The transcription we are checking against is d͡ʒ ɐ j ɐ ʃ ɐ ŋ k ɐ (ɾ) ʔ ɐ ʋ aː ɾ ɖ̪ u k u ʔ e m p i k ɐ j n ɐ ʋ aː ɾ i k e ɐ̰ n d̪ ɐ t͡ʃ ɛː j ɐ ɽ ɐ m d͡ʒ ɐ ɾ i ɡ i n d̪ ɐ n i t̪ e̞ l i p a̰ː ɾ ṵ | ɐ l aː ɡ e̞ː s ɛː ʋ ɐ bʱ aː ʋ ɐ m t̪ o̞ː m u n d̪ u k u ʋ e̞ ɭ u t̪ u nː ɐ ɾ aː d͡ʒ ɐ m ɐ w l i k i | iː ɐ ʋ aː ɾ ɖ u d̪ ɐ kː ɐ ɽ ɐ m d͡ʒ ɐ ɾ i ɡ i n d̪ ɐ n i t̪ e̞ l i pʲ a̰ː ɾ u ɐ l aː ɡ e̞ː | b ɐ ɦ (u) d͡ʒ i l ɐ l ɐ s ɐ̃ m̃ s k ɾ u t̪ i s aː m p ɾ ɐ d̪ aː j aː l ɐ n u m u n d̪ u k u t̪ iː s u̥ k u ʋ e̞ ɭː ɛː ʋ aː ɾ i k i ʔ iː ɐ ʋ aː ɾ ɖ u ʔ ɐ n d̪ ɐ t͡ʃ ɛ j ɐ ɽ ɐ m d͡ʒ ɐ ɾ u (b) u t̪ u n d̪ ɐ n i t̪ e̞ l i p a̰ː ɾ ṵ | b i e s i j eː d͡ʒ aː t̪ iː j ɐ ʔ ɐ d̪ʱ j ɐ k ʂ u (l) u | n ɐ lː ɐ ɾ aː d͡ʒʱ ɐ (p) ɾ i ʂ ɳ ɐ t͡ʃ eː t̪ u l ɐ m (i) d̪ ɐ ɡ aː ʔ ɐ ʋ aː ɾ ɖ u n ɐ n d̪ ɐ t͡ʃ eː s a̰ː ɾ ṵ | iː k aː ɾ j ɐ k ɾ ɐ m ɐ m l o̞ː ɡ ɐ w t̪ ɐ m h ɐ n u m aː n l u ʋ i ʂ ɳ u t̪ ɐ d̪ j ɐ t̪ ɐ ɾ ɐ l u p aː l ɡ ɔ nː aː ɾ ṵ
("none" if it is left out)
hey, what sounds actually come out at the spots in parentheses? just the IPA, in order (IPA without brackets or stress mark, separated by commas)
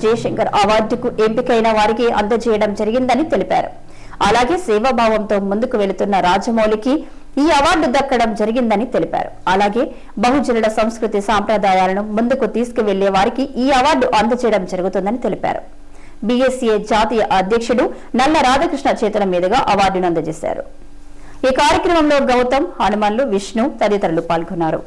ɾ, u, ɡ, ɽ, k, iː